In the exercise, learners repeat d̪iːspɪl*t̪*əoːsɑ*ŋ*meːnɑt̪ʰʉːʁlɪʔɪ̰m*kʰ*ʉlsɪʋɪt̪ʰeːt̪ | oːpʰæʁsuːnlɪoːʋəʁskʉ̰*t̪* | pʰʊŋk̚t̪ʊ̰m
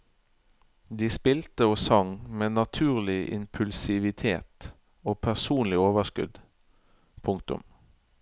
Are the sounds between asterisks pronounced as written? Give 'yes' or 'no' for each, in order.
yes, yes, no, no

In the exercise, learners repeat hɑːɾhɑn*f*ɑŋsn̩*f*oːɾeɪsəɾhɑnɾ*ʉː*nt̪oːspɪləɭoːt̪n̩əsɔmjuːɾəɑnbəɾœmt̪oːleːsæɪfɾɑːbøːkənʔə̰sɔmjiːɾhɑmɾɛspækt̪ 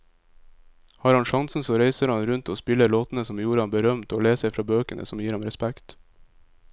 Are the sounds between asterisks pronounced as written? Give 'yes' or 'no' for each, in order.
no, no, no

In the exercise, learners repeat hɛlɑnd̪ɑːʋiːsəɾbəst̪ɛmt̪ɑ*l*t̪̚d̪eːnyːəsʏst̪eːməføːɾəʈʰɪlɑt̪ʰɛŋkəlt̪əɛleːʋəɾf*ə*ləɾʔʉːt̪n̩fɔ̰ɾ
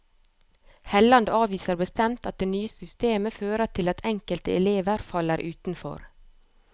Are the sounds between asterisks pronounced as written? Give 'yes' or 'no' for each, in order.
no, no

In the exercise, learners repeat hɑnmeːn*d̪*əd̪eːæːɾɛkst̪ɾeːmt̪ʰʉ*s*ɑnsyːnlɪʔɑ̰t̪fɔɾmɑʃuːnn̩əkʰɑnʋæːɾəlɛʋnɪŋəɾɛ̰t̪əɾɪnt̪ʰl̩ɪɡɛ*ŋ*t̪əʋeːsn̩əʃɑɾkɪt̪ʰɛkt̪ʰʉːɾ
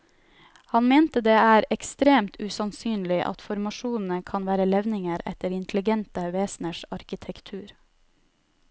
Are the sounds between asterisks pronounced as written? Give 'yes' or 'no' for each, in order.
no, yes, no

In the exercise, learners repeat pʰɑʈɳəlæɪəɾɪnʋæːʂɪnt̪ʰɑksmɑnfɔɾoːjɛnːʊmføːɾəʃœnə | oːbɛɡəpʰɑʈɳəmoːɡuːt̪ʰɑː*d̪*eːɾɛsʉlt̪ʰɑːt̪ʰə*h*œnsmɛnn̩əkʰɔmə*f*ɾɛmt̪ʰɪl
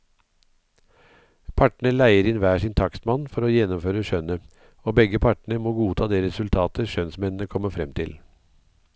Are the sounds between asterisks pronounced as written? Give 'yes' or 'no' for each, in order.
yes, no, yes

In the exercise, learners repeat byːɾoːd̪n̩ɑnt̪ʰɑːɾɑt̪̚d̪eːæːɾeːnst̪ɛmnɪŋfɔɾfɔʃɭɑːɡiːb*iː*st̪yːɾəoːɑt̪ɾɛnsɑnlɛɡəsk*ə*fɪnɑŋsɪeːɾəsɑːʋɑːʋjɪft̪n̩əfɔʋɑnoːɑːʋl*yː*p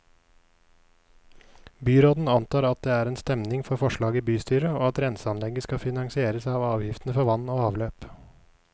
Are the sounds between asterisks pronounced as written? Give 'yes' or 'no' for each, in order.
no, no, no

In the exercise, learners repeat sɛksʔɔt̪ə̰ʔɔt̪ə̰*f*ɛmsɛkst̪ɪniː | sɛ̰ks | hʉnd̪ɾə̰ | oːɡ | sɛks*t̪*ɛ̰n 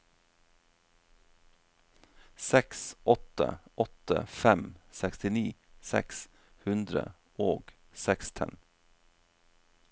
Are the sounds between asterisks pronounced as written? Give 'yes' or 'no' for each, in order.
yes, no

